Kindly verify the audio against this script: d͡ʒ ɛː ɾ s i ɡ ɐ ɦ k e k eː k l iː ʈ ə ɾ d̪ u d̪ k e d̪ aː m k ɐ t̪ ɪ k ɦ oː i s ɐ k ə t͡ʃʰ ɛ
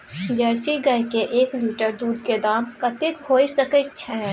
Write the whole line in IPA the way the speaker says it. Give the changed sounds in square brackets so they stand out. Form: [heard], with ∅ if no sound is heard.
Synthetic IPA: d͡ʒ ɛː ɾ s i ɡ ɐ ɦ k e [ʔ] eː k l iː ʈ ə ɾ d̪ [uː] d̪ k e d̪ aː m k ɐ t̪ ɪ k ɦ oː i s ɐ k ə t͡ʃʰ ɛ